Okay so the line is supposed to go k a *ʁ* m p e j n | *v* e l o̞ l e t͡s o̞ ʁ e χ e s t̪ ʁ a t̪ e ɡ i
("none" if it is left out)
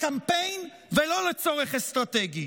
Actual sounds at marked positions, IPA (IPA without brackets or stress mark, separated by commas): none, v